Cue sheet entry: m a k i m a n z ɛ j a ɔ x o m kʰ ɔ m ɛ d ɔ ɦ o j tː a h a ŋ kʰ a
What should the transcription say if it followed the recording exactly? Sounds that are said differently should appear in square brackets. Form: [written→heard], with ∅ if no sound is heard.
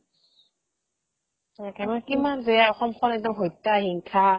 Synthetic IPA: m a k i m a n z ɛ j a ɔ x [o→ɔ] m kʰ ɔ [m→n] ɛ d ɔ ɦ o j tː a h [a→i] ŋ kʰ a